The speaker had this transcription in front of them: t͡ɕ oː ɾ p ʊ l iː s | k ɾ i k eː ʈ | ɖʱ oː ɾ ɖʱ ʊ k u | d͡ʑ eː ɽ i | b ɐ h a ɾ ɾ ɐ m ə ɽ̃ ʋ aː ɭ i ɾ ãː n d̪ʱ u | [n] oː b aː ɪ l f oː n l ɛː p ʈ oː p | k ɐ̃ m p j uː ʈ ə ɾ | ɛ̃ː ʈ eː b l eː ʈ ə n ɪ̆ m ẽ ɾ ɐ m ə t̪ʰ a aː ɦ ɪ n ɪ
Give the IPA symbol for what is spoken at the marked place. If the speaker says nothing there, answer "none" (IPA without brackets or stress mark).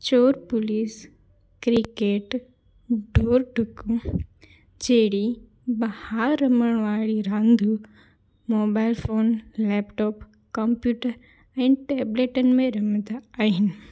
m